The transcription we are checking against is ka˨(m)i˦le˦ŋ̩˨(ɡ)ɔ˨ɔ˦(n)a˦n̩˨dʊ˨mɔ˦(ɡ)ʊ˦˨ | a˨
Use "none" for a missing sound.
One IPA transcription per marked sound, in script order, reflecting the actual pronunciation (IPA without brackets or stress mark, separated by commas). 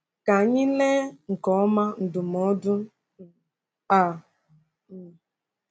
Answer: ɲ, k, m, d